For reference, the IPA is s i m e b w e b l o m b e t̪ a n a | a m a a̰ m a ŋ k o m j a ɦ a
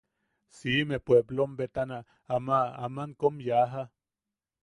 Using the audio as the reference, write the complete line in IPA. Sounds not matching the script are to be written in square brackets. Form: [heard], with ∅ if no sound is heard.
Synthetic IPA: s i m e [p] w e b l o m b e t̪ a n a | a m a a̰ m a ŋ k o m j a ɦ a